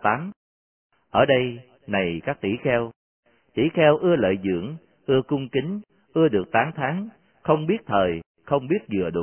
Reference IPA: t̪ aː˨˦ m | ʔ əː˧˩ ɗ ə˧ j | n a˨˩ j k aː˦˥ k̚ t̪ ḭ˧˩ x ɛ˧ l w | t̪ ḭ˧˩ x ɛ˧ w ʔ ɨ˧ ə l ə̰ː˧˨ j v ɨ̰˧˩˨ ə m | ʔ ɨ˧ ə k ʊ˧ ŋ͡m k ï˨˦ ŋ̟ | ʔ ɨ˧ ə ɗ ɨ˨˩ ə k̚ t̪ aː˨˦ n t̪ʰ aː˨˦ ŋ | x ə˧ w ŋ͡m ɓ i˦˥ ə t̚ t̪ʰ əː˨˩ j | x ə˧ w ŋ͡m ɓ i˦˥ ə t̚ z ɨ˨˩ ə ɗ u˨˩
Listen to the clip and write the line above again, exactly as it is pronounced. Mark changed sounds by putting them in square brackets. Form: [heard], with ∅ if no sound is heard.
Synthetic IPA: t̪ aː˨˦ m | ʔ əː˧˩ ɗ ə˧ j | n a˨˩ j k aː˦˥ k̚ t̪ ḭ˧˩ x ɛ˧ [∅] w | t̪ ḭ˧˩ x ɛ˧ w ʔ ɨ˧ ə l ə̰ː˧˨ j [z] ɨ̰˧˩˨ ə [ŋ] | ʔ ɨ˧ ə k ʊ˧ ŋ͡m k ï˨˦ ŋ̟ | ʔ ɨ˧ ə ɗ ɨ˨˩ ə k̚ t̪ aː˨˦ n t̪ʰ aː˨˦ ŋ | x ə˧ w ŋ͡m ɓ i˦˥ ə t̚ t̪ʰ əː˨˩ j | x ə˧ w ŋ͡m ɓ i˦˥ ə t̚ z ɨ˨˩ ə ɗ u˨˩